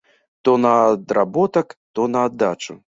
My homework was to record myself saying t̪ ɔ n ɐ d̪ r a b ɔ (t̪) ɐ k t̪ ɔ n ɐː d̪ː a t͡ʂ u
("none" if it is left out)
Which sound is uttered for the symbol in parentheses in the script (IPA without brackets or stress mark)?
t̪